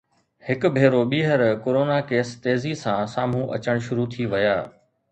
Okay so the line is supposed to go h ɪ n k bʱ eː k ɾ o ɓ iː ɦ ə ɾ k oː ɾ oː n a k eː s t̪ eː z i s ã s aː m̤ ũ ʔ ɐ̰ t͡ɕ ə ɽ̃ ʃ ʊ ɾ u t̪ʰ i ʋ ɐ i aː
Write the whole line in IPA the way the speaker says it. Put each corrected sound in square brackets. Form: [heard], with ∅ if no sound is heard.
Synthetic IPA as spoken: h ɪ [∅] k bʱ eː [∅] ɾ o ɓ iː ɦ ə ɾ k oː ɾ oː n a k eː s t̪ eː z i s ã s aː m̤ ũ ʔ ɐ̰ t͡ɕ ə ɽ̃ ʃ ʊ ɾ u t̪ʰ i ʋ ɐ [j] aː